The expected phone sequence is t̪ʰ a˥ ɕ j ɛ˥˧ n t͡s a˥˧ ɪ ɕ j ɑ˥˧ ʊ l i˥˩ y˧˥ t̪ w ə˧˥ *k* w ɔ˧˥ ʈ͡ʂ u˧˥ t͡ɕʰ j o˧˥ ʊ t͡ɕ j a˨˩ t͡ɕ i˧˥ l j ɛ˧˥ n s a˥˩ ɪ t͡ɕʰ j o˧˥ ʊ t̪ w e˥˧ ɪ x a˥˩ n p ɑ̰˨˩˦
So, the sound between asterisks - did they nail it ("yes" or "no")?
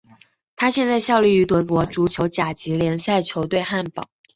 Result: yes